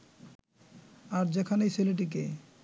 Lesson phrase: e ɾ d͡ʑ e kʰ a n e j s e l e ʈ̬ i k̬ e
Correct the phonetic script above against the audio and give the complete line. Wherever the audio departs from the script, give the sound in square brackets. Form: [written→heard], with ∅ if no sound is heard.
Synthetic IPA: [e→a] ɾ d͡ʑ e kʰ a n e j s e l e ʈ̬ i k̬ e